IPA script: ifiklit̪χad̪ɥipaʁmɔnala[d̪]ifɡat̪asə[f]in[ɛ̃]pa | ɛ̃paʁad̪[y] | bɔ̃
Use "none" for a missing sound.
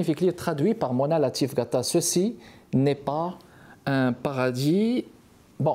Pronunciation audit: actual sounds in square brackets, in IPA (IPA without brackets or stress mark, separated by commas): t̪, s, ɛ, i